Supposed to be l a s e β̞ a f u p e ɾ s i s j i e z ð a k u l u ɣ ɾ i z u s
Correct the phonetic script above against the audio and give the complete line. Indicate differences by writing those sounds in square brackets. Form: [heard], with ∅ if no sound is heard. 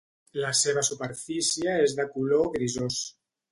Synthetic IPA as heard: l a s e β̞ a [s] u p e ɾ [f] i s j [a] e z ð a k u l [o] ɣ ɾ i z [o] s